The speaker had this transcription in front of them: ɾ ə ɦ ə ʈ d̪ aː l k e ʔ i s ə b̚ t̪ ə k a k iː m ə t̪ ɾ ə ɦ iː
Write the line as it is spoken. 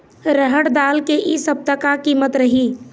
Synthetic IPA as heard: ɾ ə ɦ ə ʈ d̪ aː l k e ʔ i s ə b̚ t̪ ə k a k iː m ə t̪ ɾ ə ɦ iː